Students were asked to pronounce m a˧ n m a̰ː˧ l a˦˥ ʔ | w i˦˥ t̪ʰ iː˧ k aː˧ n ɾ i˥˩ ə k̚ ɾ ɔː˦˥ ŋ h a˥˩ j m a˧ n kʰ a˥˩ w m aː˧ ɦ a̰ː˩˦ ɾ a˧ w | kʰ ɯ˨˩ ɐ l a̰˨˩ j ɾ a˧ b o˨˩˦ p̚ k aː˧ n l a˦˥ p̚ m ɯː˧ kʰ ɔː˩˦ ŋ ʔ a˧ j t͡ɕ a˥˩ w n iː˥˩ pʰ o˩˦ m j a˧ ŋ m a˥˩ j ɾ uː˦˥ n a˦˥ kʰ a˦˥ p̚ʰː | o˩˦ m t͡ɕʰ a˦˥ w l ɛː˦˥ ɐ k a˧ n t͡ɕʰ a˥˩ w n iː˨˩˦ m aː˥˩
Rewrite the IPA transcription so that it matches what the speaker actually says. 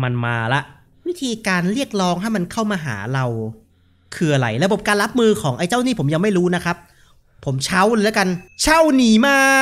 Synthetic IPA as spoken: m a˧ n m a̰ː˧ l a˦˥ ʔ | w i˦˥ t̪ʰ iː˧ k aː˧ n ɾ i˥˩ ə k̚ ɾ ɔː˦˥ ŋ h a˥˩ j m a˧ n kʰ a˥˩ w m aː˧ ɦ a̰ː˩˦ ɾ a˧ w | kʰ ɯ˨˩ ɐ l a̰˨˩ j ɾ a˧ b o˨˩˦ p̚ k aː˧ n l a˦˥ p̚ m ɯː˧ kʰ ɔː˩˦ ŋ ʔ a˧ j t͡ɕ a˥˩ w n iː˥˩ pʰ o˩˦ m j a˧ ŋ m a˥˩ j ɾ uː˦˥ n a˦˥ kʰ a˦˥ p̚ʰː | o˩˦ m t͡ɕʰ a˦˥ w l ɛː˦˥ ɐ k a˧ n t͡ɕʰ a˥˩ w n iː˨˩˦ m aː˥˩

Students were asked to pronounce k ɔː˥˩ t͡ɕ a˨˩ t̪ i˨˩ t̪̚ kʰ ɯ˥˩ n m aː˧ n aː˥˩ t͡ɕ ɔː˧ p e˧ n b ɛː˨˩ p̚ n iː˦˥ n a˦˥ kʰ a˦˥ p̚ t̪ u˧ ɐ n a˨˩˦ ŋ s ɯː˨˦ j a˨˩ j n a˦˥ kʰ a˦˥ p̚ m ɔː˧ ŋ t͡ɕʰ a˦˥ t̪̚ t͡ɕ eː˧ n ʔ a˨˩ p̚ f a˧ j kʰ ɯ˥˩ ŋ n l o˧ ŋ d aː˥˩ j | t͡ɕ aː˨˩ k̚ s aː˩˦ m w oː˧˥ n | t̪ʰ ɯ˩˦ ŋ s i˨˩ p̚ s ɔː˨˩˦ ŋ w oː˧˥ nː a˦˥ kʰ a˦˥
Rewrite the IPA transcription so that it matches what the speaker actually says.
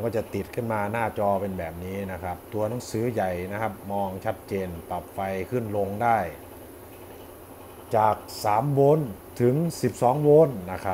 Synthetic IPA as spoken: k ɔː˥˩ t͡ɕ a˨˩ t̪ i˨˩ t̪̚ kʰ ɯ˥˩ n m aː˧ n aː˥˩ t͡ɕ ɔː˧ p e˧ n b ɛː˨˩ p̚ n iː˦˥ n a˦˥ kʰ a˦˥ p̚ t̪ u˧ ɐ n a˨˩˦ ŋ s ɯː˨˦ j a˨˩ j n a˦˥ kʰ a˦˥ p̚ m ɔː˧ ŋ t͡ɕʰ a˦˥ t̪̚ t͡ɕ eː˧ n p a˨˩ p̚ f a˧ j kʰ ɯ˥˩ n l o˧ ŋ d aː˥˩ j | t͡ɕ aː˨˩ k̚ s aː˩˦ m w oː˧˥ n | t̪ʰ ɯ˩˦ ŋ s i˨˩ p̚ s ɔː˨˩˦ ŋ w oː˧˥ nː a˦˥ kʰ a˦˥

